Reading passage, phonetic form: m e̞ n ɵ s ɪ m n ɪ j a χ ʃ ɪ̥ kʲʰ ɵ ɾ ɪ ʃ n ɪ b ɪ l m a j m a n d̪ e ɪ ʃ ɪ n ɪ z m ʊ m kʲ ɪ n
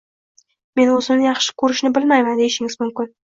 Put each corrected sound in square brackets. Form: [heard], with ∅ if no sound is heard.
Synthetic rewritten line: m e̞ n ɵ [z] ɪ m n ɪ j [ɑ] χ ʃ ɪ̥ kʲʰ ɵ ɾ ɪ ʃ n ɪ b ɪ l m a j m a n d̪ e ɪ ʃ ɪ [ŋ] ɪ z m ʊ m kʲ ɪ n